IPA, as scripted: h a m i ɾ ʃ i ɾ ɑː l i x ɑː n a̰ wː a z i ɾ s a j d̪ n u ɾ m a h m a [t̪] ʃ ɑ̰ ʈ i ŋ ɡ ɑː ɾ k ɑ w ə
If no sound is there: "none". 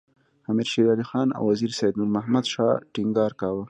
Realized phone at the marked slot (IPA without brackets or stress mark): d̪